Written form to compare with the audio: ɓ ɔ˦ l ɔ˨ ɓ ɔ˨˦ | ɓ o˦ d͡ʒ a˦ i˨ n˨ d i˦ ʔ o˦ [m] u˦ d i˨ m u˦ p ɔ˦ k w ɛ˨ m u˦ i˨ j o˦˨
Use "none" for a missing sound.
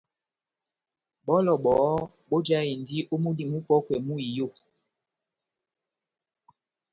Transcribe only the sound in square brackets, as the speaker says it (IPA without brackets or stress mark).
m